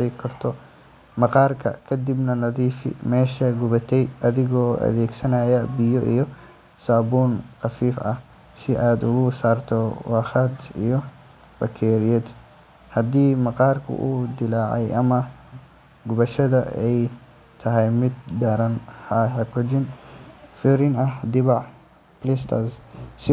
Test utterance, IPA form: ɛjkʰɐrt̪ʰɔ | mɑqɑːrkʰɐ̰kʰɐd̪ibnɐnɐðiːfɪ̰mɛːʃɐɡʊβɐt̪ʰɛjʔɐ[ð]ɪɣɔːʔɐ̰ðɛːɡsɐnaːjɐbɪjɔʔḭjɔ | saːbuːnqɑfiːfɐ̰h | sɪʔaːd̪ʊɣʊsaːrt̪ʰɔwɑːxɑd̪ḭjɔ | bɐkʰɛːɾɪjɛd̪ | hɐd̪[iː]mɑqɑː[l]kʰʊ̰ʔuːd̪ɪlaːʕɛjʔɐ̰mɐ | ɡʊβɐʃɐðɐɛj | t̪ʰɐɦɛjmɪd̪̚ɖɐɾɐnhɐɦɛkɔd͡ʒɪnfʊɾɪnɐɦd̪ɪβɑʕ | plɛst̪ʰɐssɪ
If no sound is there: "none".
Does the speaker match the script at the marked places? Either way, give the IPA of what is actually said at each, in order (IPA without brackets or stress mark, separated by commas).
ð, iː, r